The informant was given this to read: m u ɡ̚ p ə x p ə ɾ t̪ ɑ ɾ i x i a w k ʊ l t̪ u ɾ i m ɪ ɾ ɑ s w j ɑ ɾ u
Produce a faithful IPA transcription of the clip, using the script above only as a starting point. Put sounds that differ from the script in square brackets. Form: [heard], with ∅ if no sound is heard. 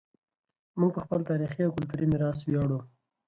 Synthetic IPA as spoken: m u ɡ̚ p ə x p ə [l] t̪ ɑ ɾ i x i a w k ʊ l t̪ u ɾ i m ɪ ɾ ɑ s w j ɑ [ɽ] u

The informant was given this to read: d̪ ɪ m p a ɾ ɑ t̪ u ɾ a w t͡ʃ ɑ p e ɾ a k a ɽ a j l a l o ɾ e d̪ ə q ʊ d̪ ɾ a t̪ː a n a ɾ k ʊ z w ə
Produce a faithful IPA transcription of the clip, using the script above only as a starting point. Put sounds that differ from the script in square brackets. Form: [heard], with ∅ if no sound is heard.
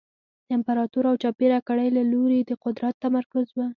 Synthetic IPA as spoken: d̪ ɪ m p a ɾ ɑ t̪ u ɾ a w t͡ʃ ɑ p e ɾ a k a ɽ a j l a l o ɾ e d̪ ə q ʊ d̪ ɾ a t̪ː a [m] a ɾ k ʊ z w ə

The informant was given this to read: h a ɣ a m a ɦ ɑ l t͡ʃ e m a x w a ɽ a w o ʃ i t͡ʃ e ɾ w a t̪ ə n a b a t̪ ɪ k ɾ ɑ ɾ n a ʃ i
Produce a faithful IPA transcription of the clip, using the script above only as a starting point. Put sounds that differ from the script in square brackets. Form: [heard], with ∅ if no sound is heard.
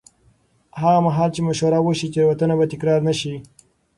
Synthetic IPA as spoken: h a ɣ a m a ɦ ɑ l t͡ʃ e m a [ʃ] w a [ɾ] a w o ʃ i t͡ʃ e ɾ w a t̪ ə n a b a t̪ ɪ k ɾ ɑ ɾ n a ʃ i

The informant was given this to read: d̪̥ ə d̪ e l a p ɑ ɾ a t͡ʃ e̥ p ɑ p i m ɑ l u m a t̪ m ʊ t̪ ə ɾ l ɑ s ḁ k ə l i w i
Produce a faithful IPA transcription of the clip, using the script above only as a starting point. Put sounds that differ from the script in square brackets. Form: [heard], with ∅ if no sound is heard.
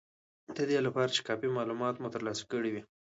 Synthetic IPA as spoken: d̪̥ ə d̪ e l a p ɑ ɾ a t͡ʃ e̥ [k] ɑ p i m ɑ l u m [ɑ] t̪ m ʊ t̪ ə ɾ l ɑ s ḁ k ə [ɽ] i w i

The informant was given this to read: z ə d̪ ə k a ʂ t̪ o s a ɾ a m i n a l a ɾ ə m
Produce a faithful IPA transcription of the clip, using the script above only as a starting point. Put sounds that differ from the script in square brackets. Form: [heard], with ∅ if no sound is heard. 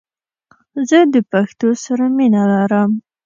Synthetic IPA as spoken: z ə d̪ ə [p] a [x] t̪ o s a ɾ a m i n a l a ɾ ə m

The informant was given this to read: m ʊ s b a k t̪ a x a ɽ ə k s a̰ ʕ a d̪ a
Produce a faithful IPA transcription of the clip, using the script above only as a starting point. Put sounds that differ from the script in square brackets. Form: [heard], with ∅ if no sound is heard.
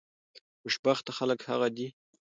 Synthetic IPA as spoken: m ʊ [ʃ] b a [x] t̪ a x a [l] ə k [h] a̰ [ɣ] a d̪ [i]

